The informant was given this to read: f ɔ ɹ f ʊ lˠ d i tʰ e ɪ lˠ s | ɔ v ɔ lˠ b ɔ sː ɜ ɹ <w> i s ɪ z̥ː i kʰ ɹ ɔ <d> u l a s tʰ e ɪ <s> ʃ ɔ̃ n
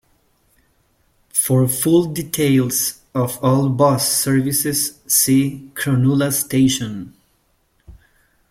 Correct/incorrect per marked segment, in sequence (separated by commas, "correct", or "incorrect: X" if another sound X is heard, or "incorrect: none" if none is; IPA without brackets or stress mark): incorrect: v, incorrect: n, incorrect: none